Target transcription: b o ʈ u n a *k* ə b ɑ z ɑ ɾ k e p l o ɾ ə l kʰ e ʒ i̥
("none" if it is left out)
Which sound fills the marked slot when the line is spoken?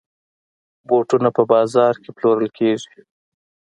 p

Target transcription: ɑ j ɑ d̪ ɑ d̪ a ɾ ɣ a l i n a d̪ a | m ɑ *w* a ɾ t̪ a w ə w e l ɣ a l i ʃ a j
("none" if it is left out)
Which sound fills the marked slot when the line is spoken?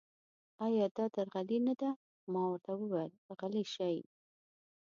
w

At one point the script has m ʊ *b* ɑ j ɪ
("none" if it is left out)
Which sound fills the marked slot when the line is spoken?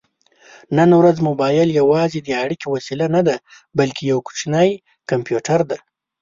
b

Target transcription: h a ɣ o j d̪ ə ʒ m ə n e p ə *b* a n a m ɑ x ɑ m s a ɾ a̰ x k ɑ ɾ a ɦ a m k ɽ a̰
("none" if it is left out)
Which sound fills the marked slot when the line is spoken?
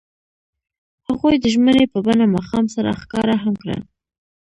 b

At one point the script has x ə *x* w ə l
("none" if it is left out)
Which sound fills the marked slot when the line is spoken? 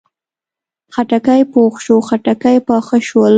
ʃ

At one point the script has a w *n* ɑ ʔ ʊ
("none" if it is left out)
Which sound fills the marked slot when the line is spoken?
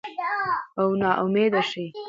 n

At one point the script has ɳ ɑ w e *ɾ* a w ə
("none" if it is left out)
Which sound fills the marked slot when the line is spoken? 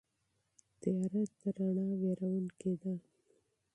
ɾ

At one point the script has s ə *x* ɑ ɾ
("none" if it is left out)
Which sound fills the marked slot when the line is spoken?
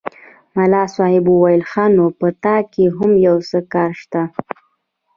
k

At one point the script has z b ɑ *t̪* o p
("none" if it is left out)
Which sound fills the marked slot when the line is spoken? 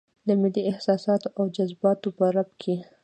t̪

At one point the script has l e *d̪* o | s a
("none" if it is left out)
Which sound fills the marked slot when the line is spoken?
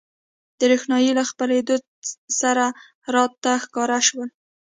d̪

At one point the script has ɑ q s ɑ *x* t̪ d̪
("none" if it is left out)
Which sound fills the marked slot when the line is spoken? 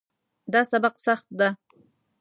χ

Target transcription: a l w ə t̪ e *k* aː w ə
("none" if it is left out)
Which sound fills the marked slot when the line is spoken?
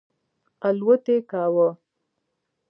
k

